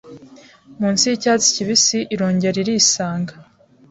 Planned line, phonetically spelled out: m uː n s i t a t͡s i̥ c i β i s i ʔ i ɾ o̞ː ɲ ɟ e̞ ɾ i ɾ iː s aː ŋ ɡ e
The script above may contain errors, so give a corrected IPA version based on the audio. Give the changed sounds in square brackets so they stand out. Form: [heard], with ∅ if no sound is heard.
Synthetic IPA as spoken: m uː n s i [c] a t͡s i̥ c i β i s i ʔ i ɾ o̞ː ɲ ɟ e̞ ɾ i ɾ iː s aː ŋ ɡ [a]